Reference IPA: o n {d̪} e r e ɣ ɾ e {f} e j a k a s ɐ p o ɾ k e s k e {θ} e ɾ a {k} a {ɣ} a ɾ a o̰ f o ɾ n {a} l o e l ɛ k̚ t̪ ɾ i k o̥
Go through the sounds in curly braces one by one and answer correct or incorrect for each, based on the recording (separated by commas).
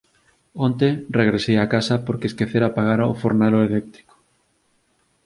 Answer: incorrect, incorrect, correct, incorrect, correct, correct